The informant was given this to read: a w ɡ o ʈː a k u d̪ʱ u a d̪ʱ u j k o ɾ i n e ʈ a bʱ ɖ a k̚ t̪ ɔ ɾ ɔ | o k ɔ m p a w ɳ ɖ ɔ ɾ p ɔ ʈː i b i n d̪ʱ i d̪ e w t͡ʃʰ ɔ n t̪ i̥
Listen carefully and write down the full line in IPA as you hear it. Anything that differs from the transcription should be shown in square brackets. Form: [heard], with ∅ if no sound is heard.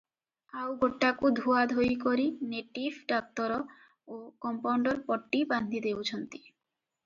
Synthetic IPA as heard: a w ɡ o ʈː a k u d̪ʱ u a d̪ʱ [o] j k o ɾ i n e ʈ [i] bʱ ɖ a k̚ t̪ ɔ ɾ ɔ | o k ɔ m p a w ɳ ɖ ɔ ɾ p ɔ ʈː i b [a] n d̪ʱ i d̪ e w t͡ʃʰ ɔ n t̪ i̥